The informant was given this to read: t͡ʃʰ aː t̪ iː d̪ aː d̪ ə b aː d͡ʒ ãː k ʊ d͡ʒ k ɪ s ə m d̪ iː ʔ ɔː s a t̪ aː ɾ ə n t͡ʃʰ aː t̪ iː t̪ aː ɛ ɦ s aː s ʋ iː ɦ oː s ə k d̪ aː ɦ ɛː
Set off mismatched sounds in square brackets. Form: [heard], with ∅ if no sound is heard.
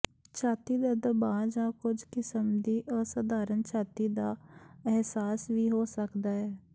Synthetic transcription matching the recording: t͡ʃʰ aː t̪ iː d̪ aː d̪ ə b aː d͡ʒ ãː k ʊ d͡ʒ k ɪ s ə m d̪ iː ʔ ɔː s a [d̪] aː ɾ ə n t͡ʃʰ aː t̪ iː [d̪] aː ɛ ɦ s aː s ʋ iː ɦ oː s ə k d̪ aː ɦ ɛː